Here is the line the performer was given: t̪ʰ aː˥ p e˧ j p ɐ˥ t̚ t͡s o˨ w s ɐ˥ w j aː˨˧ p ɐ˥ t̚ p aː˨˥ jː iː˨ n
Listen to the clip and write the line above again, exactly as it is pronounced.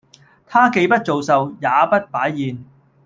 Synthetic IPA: t̪ʰ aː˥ k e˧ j p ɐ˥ t̚ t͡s o˨ w s ɐ˨ w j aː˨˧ p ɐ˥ t̚ p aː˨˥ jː iː˨ n

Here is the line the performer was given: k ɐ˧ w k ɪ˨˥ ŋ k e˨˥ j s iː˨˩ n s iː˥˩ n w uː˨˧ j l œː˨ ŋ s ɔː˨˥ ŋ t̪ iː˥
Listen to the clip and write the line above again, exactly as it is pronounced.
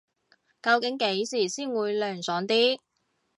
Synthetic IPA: k ɐ˧ w k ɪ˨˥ ŋ k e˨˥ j s iː˨˩ s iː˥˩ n w uː˨˧ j l œː˨ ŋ s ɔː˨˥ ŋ t̪ iː˥

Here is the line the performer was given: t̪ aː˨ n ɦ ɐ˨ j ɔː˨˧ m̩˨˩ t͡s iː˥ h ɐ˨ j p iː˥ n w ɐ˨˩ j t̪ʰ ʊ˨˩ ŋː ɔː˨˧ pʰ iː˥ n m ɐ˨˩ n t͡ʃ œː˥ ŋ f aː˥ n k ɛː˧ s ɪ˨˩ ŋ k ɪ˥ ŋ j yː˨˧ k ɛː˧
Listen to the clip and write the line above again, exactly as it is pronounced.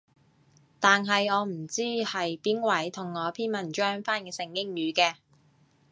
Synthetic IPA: t̪ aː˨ n ɦ ɐ˨ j ɔː˨˧ m̩˨˩ t͡s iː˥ h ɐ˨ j p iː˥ n w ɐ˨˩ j t̪ʰ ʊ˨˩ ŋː ɔː˨˧ pʰ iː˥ n m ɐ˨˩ n t͡ʃ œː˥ ŋ f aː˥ n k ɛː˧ s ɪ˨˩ ŋ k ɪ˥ ŋ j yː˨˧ k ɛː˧

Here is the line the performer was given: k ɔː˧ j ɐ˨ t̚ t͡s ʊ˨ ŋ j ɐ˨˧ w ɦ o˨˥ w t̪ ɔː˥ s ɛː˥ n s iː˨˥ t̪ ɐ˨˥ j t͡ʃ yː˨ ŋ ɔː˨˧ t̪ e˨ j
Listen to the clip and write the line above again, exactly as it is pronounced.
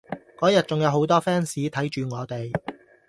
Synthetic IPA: k ɔː˨˥ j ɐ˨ t̚ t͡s ʊ˨ ŋ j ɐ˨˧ w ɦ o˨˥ w t̪ ɔː˥ f ɛː˥ n s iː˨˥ t̪ʰ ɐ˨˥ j t͡ʃ yː˨ ŋ ɔː˨˧ t̪ e˨ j

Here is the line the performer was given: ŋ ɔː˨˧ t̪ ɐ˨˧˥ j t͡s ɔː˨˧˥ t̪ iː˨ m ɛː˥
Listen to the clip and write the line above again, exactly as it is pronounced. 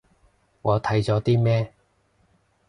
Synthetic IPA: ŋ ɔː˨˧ t̪ʰ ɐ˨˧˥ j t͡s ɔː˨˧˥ t̪ iː˥ m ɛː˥

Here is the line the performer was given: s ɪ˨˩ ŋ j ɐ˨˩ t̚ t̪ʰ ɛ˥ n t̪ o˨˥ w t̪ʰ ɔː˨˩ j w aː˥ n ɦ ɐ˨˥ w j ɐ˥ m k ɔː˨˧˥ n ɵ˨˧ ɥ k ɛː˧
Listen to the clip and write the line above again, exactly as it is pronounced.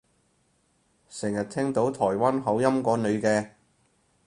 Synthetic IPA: s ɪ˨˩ ŋ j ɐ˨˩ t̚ t̪ʰ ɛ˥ ŋ t̪ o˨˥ w t̪ʰ ɔː˨˩ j w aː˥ n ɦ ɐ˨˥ w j ɐ˥ m k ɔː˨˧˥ n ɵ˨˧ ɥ k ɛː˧

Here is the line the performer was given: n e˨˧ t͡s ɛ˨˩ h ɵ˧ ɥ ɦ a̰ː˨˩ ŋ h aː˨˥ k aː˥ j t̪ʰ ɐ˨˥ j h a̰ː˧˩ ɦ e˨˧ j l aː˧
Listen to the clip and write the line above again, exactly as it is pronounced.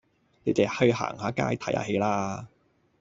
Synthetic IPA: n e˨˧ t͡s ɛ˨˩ h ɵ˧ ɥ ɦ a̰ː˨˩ ŋ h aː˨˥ k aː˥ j t̪ʰ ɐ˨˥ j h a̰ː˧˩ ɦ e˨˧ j l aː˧

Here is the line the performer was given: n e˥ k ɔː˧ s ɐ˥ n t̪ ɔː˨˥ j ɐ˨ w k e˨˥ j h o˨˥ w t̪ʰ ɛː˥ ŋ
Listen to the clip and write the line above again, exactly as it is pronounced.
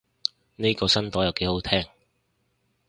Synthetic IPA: n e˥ k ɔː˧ s ɐ˥ n t̪ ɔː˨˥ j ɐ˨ w k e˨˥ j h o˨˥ w t̪ʰ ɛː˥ ŋ

